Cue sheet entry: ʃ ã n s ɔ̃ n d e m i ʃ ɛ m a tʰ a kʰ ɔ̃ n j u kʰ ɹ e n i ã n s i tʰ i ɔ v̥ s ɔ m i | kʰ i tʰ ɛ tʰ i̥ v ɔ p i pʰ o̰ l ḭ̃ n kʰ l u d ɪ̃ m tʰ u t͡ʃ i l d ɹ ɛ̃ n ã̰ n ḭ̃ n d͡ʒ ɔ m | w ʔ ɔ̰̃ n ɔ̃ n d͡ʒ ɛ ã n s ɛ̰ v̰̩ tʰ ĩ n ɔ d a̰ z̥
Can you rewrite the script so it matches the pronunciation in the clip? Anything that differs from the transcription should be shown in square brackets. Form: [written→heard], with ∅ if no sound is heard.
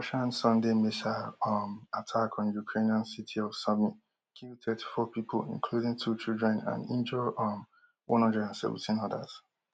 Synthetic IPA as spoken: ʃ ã n s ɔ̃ n d e m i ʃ [ɛ→a] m a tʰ a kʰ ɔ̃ n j u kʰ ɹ e n i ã n s i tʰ i ɔ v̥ s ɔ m i | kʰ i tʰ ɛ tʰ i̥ [v→f] ɔ p i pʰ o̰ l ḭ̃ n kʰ l u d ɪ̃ [m→ŋ] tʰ u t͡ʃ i l d ɹ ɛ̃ n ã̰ n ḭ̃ n d͡ʒ ɔ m | w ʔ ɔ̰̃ n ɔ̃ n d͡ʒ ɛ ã n s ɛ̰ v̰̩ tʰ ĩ n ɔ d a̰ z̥